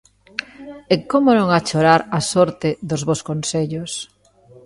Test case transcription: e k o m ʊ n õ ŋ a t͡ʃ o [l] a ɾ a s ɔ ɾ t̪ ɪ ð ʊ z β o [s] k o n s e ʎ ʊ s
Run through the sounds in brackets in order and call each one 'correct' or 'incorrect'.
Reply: incorrect, correct

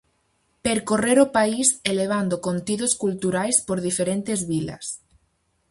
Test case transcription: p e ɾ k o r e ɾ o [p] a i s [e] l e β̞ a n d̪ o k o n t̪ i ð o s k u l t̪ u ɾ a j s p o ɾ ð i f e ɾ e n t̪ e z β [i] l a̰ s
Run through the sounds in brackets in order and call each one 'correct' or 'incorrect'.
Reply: correct, correct, correct

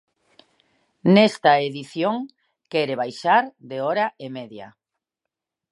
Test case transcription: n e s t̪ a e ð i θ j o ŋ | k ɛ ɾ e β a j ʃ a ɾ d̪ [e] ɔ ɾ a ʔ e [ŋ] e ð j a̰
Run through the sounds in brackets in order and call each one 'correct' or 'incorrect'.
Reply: correct, incorrect

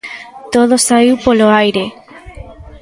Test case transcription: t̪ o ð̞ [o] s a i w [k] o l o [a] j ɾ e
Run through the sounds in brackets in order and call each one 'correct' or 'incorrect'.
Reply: correct, incorrect, correct

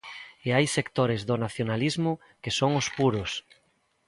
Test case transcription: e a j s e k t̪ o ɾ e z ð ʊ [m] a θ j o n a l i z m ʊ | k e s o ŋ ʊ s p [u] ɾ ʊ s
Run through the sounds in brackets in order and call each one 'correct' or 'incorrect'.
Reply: incorrect, correct

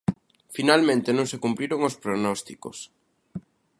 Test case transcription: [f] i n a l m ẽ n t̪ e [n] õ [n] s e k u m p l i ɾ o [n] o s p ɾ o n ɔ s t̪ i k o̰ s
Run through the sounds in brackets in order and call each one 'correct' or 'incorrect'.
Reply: correct, correct, incorrect, incorrect

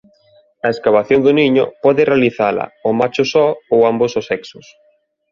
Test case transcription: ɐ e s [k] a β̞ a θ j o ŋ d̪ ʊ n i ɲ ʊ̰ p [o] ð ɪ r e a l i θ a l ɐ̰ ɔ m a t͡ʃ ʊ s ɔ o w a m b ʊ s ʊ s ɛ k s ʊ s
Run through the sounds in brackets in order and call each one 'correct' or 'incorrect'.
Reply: correct, incorrect

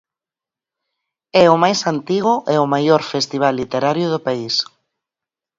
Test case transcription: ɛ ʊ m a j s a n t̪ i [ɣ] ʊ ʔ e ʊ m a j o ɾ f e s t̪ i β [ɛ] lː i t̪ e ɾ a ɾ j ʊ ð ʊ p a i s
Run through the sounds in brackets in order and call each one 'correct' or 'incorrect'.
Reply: correct, incorrect

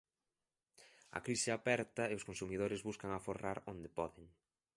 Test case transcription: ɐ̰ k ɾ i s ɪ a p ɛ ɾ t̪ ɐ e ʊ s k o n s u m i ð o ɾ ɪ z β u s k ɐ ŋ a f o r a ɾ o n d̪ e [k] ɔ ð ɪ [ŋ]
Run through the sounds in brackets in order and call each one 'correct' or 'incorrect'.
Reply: incorrect, correct

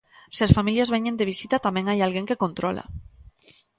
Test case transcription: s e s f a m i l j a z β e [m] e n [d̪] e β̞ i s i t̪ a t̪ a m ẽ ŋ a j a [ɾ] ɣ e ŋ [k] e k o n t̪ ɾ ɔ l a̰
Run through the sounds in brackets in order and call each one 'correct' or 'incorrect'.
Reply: incorrect, correct, incorrect, correct

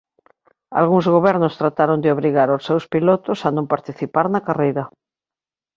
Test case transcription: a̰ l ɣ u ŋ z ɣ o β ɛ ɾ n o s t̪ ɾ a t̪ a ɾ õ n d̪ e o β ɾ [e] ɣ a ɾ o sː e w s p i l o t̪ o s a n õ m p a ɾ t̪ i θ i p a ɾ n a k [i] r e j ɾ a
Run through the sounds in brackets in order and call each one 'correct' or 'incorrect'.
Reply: incorrect, incorrect

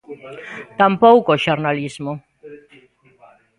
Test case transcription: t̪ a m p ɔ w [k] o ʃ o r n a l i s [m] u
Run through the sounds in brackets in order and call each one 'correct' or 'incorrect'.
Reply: correct, correct

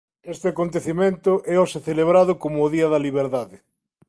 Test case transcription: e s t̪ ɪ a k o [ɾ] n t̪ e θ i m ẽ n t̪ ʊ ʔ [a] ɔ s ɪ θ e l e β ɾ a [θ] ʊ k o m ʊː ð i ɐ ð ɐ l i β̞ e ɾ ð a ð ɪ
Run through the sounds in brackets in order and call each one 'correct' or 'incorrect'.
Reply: incorrect, incorrect, incorrect

